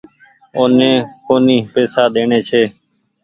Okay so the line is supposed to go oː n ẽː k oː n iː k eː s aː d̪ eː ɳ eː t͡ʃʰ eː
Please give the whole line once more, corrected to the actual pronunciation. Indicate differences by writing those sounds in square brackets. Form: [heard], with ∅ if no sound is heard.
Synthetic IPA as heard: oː n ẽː k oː n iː [p] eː s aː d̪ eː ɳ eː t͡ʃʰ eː